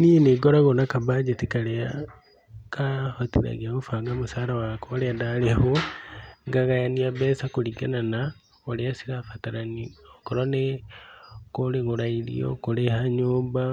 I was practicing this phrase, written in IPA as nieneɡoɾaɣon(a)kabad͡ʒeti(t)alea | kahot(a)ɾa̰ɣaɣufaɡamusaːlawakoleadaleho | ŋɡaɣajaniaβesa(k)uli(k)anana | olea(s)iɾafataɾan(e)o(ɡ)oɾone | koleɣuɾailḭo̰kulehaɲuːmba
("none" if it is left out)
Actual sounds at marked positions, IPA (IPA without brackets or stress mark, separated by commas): a, k, i, k, ɡ, s, i, k